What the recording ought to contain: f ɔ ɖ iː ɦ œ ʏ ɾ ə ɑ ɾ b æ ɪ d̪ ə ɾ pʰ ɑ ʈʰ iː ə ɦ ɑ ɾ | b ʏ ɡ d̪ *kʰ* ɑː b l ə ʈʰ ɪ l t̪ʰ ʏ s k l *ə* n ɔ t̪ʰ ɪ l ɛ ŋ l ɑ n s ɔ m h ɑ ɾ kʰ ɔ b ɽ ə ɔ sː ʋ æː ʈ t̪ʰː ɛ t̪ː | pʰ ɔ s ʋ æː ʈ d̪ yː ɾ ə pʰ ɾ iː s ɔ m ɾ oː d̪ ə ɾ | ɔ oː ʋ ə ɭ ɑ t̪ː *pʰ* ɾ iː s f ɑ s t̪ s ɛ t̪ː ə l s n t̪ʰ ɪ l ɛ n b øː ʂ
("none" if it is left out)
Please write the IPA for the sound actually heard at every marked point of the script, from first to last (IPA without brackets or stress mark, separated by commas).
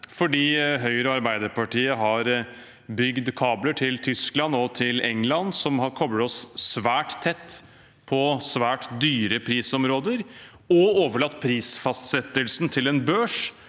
kʰ, ɑ, pʰ